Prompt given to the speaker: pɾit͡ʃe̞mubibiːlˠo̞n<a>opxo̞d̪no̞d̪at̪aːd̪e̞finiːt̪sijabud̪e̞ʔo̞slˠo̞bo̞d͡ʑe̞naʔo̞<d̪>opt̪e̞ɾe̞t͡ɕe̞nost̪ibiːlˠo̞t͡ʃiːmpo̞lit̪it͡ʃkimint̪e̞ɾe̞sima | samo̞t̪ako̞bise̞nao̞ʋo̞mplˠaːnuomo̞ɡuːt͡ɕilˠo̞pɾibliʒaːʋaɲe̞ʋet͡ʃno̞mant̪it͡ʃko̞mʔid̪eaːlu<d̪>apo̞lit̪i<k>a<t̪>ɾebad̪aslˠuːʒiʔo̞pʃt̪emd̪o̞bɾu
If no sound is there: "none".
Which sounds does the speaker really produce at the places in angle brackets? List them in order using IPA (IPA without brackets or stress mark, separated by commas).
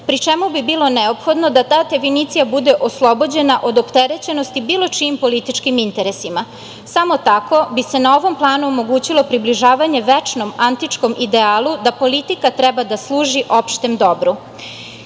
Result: e, d̪, d̪, k, t̪